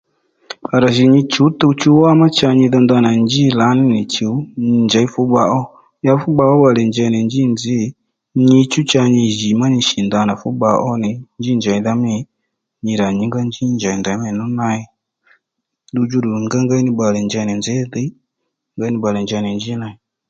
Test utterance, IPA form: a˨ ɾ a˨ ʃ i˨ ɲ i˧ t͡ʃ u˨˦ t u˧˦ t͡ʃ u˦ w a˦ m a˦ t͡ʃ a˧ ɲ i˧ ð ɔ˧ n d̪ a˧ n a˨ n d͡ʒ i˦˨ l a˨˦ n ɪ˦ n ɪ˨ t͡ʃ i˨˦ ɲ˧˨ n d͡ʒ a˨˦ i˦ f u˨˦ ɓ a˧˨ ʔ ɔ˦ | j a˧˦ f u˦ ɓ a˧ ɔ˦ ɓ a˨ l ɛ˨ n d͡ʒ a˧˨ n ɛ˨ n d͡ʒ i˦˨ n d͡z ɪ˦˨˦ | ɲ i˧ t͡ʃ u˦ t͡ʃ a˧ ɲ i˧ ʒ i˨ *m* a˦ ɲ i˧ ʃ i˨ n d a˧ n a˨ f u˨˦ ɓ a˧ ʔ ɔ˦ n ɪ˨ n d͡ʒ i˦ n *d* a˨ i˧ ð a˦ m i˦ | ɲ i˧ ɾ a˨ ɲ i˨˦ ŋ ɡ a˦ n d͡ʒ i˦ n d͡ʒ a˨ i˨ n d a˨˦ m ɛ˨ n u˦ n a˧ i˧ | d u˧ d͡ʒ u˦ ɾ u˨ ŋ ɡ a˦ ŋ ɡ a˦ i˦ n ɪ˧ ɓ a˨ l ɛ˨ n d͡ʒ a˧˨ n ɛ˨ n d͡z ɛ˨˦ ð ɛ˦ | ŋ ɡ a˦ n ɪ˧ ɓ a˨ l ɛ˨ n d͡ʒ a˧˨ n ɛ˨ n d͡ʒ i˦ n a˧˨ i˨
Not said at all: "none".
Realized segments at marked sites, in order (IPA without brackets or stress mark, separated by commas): m, d͡ʒ